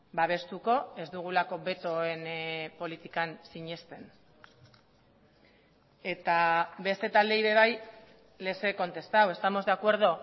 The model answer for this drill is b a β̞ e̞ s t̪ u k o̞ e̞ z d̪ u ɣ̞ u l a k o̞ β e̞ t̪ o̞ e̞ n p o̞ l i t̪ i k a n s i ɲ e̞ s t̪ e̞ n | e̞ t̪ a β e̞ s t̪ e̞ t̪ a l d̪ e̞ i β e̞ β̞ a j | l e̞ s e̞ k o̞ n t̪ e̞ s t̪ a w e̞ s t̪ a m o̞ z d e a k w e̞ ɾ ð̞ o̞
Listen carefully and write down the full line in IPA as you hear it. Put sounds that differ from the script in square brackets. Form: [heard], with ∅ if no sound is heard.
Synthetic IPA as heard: b a β̞ e̞ s t̪ u k o̞ e̞ z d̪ u ɣ̞ u l a k o̞ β e̞ t̪ o̞ e̞ n p o̞ l i t̪ i k a n s i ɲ e̞ s t̪ e̞ n | e̞ t̪ a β e̞ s t̪ e̞ t̪ a l d̪ e̞ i β e̞ β̞ a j | l e̞ s e̞ k o̞ n t̪ e̞ s t̪ a w e̞ s t̪ a m o̞ z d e a k w e̞ ɾ ð̞ o̞